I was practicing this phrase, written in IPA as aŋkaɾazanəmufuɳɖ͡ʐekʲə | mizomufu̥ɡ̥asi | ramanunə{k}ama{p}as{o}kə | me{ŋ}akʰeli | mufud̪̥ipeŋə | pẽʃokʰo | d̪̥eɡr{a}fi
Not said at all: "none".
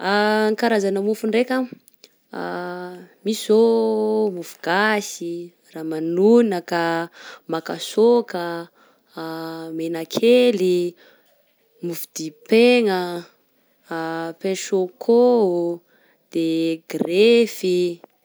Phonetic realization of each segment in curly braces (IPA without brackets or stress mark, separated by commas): k, k, o, n, e